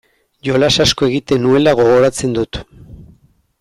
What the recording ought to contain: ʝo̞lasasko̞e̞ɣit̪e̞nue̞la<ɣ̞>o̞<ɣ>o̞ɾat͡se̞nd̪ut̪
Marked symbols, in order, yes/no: yes, yes

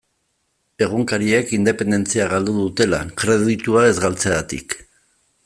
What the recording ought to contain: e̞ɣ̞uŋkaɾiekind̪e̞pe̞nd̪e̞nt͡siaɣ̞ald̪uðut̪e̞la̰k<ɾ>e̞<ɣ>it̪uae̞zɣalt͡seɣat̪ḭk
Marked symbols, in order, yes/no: yes, no

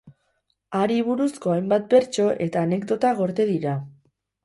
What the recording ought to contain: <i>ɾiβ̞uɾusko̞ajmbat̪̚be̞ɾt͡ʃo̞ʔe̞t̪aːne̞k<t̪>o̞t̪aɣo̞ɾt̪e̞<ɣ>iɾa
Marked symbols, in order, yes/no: no, no, no

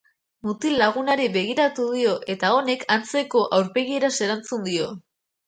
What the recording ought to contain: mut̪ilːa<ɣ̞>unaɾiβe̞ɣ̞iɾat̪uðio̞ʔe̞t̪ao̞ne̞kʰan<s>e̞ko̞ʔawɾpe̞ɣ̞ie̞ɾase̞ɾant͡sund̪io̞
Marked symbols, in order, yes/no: yes, no

